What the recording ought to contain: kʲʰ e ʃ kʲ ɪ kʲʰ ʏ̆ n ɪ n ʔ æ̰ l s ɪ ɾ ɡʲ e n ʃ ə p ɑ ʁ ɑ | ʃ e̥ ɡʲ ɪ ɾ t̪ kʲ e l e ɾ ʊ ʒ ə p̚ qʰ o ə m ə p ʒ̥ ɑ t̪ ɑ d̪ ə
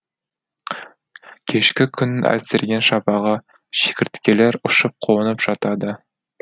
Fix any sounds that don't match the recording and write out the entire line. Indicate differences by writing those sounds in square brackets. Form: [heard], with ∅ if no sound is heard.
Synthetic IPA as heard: kʲʰ e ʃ kʲ ɪ kʲʰ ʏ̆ n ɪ n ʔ æ̰ l s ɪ ɾ ɡʲ e n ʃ [ɑ] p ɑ ʁ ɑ | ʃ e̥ [kʲ] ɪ ɾ t̪ kʲ e l e ɾ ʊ [ʃ] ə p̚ qʰ o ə [n] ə p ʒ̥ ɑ t̪ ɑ d̪ ə